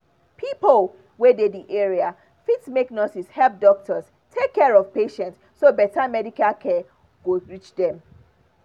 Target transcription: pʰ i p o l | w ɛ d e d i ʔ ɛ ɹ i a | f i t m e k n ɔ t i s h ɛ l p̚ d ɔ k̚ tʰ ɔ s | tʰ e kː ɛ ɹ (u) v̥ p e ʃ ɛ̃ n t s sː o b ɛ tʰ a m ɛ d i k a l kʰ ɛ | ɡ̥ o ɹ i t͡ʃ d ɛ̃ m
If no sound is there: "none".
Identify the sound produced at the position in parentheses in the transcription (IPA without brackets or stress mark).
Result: ɔ